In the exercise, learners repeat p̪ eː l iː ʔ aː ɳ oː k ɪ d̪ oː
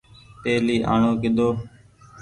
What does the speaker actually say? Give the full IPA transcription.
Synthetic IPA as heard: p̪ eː l iː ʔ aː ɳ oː k ɪ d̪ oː